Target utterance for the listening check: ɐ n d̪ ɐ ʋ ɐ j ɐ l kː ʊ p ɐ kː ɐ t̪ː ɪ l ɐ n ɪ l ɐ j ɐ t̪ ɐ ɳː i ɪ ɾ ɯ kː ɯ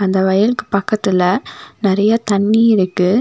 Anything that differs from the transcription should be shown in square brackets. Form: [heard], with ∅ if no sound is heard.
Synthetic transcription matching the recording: ɐ n d̪ ɐ ʋ ɐ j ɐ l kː [ɯ] p ɐ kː ɐ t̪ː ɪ l ɐ n ɪ [ɾ] ɐ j ɐ t̪ ɐ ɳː i ɪ ɾ ɯ kː ɯ